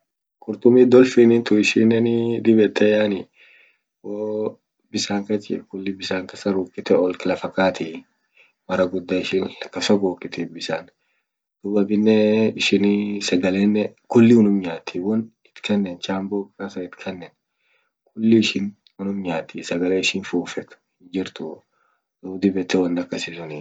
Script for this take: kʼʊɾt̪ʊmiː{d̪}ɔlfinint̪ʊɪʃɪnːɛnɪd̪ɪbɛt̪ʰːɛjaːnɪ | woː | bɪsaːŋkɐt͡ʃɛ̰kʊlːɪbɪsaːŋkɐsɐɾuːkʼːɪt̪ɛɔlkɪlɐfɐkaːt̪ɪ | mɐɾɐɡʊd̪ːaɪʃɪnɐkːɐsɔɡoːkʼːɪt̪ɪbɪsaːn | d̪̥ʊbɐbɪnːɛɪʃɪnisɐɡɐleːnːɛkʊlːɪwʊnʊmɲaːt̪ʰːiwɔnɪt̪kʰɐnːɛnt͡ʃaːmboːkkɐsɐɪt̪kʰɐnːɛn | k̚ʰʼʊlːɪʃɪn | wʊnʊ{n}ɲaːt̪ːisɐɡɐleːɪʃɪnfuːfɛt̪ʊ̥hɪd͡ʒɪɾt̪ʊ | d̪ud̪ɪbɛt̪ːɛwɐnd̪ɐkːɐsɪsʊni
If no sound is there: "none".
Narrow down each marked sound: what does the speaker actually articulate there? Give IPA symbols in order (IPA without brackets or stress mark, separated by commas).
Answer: d̪, m